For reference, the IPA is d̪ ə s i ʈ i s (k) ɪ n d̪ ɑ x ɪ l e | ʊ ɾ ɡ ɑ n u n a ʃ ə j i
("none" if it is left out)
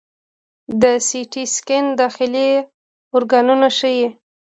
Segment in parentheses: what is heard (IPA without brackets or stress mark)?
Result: k